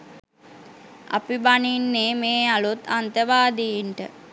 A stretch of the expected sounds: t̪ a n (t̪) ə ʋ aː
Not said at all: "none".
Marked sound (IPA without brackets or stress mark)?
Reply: t̪